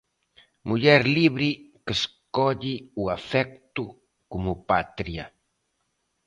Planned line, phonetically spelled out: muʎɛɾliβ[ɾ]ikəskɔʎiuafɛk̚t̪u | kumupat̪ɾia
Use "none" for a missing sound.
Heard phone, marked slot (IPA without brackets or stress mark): ɾ